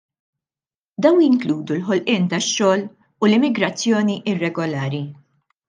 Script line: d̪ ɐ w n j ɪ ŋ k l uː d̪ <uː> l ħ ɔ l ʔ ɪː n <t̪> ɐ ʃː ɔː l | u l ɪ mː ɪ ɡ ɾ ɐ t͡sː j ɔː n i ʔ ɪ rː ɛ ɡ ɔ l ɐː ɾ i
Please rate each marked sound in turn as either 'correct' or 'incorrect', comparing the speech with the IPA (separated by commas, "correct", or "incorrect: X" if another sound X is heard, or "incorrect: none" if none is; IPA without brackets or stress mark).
incorrect: u, correct